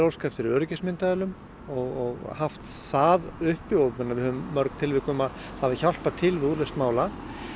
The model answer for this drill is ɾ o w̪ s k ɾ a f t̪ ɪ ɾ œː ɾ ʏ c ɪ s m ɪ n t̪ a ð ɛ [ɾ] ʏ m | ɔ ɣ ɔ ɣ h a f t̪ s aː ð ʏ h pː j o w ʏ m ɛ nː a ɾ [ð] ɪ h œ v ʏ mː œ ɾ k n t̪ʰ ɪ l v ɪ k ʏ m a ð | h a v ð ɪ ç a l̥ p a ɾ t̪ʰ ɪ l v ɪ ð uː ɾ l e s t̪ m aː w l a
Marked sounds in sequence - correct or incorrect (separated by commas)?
incorrect, incorrect